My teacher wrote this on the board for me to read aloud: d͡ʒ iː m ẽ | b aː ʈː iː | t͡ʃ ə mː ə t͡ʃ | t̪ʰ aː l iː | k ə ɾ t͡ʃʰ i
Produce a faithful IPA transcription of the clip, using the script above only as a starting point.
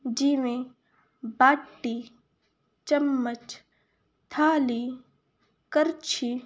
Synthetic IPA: d͡ʒ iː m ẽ | b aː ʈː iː | t͡ʃ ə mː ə t͡ʃ | t̪ʰ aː l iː | k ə ɾ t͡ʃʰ i